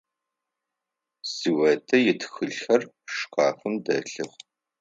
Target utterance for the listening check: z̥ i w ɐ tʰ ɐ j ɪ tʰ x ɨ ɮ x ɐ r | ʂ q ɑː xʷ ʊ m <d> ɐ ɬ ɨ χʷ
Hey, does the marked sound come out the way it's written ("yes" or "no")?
yes